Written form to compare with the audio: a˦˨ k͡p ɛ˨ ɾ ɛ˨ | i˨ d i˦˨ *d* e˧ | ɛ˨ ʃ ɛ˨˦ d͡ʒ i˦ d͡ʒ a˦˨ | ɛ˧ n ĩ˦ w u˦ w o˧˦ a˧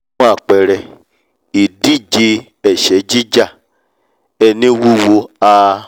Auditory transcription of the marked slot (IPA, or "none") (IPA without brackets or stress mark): d͡ʒ